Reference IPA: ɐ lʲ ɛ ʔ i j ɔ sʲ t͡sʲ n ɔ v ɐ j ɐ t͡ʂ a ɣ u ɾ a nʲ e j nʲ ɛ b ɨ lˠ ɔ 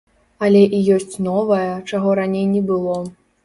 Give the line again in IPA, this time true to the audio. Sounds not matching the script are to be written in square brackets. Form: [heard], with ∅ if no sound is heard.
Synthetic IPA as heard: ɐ lʲ ɛ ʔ i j ɔ sʲ t͡sʲ n ɔ v ɐ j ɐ t͡ʂ a ɣ [ɔ] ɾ a nʲ e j nʲ ɛ b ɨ lˠ ɔ

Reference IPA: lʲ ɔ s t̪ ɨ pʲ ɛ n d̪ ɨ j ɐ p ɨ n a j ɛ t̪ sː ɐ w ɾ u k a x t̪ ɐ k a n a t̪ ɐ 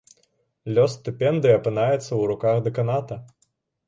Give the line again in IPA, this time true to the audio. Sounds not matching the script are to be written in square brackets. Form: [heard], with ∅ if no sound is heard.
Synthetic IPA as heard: lʲ ɔ s t̪ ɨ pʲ ɛ n d̪ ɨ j ɐ p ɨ n a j ɛ t̪ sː ɐ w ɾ u k a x [d̪] ɐ k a n a t̪ ɐ

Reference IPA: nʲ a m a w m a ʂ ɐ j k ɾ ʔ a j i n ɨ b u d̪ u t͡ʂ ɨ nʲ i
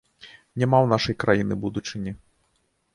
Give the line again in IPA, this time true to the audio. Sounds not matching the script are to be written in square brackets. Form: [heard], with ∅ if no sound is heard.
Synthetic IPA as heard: nʲ a m a w [n] a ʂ ɐ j k ɾ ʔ a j i n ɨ b u d̪ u t͡ʂ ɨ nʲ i

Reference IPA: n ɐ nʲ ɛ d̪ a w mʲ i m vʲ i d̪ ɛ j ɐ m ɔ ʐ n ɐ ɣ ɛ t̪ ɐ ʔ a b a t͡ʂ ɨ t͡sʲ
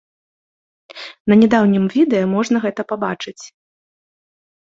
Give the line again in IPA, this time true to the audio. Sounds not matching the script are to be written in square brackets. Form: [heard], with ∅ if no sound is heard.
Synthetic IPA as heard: n ɐ nʲ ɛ d̪ a w [nʲ] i m vʲ i d̪ ɛ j ɐ m ɔ ʐ n ɐ ɣ ɛ t̪ ɐ [p] a b a t͡ʂ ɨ t͡sʲ

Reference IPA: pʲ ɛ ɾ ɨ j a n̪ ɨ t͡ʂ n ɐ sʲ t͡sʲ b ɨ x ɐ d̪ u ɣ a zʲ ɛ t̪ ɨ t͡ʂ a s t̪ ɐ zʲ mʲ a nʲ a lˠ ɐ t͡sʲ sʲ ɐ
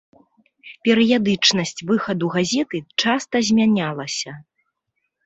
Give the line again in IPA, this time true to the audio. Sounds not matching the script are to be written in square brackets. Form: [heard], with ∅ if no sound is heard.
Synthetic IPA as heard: pʲ ɛ ɾ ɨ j a [d̪] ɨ t͡ʂ n ɐ sʲ t͡sʲ [v] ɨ x ɐ d̪ u ɣ a zʲ ɛ t̪ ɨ t͡ʂ a s t̪ ɐ zʲ mʲ a nʲ a lˠ ɐ [∅] sʲ ɐ

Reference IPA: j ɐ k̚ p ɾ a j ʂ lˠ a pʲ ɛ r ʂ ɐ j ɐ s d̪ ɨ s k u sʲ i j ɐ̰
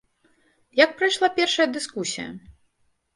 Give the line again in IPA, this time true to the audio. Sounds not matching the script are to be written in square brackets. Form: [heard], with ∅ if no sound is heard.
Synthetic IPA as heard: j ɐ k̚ p ɾ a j ʂ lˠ a pʲ ɛ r ʂ ɐ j ɐ [∅] d̪ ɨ s k u sʲ i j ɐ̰

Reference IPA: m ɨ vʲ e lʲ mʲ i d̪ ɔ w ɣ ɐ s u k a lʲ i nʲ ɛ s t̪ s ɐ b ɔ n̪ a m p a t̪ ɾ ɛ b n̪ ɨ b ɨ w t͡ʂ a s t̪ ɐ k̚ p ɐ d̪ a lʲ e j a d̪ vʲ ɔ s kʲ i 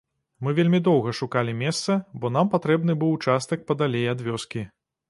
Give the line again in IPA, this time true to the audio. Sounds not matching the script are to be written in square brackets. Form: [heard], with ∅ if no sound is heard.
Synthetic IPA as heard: m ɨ vʲ e lʲ mʲ i d̪ ɔ w ɣ ɐ [ʂ] u k a lʲ i [mʲ] ɛ s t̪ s ɐ b ɔ n̪ a m p a t̪ ɾ ɛ b n̪ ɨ b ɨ w t͡ʂ a s t̪ ɐ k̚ p ɐ d̪ a lʲ e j a d̪ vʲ ɔ s kʲ i

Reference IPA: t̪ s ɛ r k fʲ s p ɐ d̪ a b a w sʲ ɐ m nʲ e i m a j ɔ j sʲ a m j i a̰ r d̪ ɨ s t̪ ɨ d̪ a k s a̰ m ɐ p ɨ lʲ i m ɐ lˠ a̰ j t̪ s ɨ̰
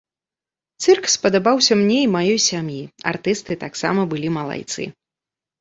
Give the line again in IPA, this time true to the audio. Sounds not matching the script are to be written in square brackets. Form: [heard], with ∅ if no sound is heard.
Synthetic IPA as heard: t̪ s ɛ r k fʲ s p ɐ d̪ a b a w sʲ ɐ m nʲ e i m a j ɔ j sʲ a m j i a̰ r [t̪] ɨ s t̪ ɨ [t̪] a k s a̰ m ɐ [b] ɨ lʲ i m ɐ lˠ a̰ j t̪ s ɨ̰

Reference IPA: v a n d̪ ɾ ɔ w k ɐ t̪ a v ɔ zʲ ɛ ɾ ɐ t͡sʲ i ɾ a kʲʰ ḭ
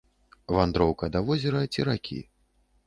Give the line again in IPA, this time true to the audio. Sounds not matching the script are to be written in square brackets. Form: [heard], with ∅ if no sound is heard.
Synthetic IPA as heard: v a n d̪ ɾ ɔ w k ɐ [d̪] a v ɔ zʲ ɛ ɾ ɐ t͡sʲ i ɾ a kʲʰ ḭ

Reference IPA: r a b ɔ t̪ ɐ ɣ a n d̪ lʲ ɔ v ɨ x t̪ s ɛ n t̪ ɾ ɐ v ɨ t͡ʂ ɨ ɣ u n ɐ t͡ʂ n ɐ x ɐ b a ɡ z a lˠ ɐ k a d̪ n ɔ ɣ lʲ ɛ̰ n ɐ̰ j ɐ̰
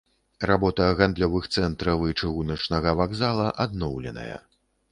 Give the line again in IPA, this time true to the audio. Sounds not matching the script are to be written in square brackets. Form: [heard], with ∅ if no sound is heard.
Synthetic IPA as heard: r a b ɔ t̪ ɐ ɣ a n d̪ lʲ ɔ v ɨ x t̪ s ɛ n t̪ ɾ ɐ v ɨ t͡ʂ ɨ ɣ u n ɐ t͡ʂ n ɐ [ɣ] ɐ [v] a ɡ z a lˠ ɐ [ʔ] a d̪ n ɔ [w] lʲ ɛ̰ n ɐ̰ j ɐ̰

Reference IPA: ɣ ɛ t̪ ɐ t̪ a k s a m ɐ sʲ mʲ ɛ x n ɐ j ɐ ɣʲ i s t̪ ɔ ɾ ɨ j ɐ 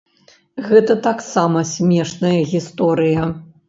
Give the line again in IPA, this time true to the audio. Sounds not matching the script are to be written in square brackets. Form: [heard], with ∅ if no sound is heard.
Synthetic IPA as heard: ɣ ɛ t̪ ɐ t̪ a k s a m ɐ sʲ mʲ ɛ [ʂ] n ɐ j ɐ ɣʲ i s t̪ ɔ ɾ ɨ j ɐ

